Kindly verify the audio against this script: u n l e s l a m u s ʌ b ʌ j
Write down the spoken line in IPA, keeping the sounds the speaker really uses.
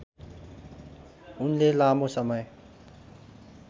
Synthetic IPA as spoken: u n l e l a m o s ʌ m ʌ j